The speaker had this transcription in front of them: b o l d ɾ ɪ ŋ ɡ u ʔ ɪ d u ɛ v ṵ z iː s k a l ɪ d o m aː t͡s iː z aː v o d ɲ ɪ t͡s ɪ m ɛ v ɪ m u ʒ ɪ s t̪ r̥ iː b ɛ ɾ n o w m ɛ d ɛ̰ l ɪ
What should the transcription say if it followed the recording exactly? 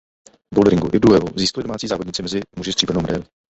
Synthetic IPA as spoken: b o l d ɾ ɪ ŋ ɡ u ʔ ɪ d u ɛ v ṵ z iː s k a l ɪ d o m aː t͡s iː z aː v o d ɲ ɪ t͡s ɪ m ɛ z ɪ m u ʒ ɪ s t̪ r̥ iː b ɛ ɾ n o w m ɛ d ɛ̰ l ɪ